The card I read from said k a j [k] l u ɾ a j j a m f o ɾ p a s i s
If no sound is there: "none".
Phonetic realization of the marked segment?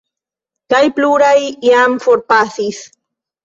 p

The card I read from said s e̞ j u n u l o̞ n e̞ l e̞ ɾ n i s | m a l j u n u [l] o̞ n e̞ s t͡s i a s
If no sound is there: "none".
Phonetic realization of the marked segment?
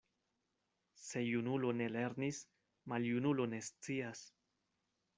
l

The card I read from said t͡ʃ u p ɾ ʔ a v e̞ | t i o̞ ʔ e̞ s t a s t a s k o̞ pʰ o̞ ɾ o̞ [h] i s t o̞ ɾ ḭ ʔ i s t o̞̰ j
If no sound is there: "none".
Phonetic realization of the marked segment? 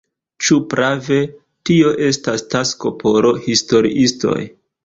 h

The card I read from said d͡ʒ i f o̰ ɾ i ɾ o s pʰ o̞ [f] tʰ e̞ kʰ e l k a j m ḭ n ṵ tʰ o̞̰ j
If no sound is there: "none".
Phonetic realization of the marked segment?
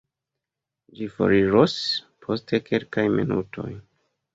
s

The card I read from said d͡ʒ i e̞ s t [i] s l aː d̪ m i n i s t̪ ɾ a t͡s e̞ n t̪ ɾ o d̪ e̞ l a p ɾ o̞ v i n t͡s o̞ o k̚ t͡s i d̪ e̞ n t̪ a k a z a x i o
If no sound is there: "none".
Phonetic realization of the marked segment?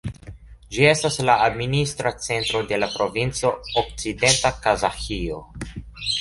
a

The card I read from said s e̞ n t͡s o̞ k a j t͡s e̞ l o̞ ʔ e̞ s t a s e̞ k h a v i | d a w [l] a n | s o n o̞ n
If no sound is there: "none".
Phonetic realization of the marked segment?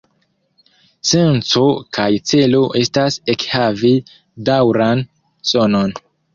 ɾ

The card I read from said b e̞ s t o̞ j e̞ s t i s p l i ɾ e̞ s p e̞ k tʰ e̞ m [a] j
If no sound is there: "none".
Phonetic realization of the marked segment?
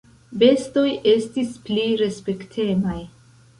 a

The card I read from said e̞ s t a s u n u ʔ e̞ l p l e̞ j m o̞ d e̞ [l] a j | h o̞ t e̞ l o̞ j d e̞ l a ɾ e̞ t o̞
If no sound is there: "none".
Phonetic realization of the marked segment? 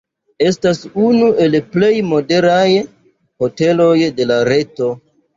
ɾ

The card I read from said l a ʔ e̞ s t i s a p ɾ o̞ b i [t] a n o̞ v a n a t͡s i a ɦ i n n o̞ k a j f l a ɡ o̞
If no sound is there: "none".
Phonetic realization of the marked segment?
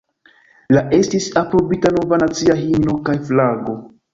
t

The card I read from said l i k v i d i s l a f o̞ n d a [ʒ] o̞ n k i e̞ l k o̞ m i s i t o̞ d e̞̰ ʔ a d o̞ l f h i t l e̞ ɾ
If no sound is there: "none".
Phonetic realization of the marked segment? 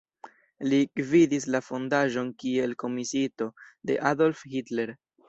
ʒ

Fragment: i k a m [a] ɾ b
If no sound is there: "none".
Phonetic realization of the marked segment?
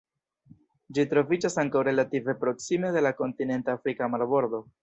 a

